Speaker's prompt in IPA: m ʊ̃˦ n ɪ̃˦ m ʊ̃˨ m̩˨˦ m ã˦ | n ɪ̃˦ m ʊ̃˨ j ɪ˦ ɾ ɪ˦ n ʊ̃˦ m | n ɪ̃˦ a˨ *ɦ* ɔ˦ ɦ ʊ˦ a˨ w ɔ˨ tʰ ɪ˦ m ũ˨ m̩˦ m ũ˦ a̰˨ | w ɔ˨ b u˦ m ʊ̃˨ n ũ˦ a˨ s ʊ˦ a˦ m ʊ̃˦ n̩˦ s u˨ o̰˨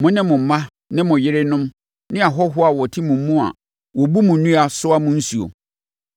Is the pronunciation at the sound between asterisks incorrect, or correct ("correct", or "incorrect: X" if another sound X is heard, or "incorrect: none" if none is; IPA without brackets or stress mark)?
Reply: correct